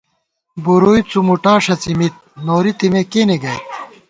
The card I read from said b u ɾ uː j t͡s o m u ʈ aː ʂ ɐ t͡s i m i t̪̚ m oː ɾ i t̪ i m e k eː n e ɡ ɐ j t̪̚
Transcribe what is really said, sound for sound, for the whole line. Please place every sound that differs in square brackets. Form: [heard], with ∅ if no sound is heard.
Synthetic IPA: b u ɾ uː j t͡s [u] m u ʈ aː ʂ ɐ t͡s i m i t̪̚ [n] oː ɾ i t̪ i m e k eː n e ɡ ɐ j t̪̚